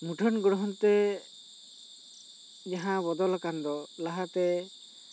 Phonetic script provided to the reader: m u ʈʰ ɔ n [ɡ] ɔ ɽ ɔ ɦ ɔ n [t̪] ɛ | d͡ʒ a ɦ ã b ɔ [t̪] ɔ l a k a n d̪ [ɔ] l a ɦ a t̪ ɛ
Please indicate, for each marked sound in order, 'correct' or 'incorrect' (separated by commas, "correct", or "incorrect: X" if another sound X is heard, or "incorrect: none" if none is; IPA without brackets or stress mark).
correct, correct, incorrect: d̪, correct